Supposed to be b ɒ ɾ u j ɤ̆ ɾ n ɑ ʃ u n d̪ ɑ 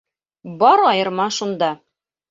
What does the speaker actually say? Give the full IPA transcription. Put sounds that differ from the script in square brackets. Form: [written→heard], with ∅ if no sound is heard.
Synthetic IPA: b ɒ ɾ [u→ɒ] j ɤ̆ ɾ [n→m] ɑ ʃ u n d̪ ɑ